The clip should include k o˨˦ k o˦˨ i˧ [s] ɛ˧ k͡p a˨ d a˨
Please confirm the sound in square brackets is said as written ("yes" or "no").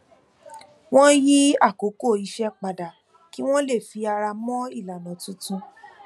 no